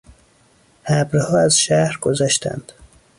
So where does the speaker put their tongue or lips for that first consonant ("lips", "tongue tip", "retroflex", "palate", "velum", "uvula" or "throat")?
throat